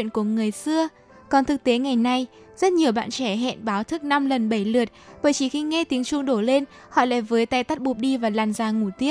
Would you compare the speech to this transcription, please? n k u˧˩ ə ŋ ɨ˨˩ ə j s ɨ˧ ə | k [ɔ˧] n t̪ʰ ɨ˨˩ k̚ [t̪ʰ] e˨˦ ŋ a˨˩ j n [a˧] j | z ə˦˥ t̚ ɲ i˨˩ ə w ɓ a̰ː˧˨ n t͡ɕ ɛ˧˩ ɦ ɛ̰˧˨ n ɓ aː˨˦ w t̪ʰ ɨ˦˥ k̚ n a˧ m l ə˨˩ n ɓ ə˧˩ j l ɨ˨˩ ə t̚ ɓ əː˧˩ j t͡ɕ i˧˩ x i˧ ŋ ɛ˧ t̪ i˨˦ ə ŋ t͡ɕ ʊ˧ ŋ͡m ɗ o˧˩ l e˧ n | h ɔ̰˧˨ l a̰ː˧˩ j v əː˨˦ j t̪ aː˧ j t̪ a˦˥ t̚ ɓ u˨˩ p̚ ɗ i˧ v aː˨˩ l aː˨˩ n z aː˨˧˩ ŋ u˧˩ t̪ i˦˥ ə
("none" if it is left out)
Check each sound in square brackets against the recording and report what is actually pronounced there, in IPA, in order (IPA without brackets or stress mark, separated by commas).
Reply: ɔ˨˩, t̪, a˧